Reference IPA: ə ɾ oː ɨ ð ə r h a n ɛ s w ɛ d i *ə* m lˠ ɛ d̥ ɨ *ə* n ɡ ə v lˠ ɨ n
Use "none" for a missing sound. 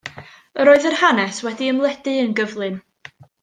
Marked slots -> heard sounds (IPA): ə, ə

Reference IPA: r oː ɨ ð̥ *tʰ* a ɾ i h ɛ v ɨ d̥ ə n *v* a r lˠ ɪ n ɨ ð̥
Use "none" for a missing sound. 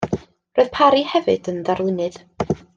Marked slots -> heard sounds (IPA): pʰ, ð

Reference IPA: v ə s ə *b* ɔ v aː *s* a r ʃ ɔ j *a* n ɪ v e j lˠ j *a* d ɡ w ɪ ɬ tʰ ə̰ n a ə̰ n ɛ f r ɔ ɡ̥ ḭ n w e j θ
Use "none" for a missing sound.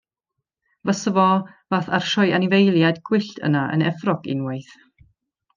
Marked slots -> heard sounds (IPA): v, θ, a, a

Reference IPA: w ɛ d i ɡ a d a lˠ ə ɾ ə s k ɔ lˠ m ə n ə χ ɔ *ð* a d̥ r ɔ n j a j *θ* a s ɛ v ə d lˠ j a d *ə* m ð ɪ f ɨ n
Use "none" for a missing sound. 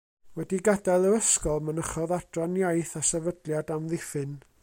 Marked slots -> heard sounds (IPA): ð, θ, a

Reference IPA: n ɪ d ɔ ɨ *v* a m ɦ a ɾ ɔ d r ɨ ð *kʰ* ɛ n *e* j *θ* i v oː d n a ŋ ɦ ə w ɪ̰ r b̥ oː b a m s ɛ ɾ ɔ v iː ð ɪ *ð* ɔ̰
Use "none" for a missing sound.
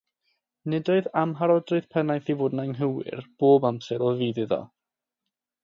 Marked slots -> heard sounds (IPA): ð, pʰ, a, θ, ð

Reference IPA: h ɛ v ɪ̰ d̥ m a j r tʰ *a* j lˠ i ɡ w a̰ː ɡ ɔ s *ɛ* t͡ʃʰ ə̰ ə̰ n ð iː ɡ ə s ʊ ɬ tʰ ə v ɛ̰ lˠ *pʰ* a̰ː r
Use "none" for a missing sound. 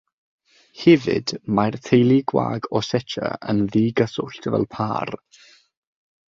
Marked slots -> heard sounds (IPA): e, ɛ, pʰ

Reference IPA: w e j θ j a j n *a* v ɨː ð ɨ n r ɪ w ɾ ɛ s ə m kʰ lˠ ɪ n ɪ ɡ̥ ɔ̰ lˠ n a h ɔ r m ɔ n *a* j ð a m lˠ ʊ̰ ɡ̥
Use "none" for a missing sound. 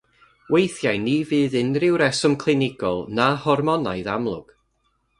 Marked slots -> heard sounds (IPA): i, a

